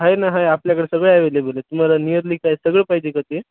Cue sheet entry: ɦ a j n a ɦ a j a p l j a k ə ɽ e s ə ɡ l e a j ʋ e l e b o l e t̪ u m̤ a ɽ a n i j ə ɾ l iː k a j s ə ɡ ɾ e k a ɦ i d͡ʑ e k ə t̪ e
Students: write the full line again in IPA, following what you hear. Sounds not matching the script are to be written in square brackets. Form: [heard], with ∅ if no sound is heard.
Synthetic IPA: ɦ a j n a ɦ a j a p l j a k ə ɽ e s ə ɡ [ɭ] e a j ʋ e l e b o l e t̪ u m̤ a [l] a n i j ə ɾ l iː k a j s ə ɡ [ɭ] e [p] a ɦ i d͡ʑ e k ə t̪ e